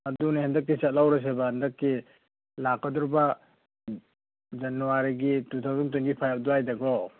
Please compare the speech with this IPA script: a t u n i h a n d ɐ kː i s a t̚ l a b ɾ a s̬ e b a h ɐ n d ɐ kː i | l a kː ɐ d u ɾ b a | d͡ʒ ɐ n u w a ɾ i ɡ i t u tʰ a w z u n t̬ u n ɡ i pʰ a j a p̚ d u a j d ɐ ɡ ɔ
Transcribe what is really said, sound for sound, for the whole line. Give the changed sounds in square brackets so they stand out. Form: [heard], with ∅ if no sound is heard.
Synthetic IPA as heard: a [d] u n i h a n d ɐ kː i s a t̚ l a [w] ɾ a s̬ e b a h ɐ n d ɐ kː i | l a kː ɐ d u ɾ b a | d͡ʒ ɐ n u w a ɾ i ɡ i t u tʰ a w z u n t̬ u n ɡ i pʰ a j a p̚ d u a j d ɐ ɡ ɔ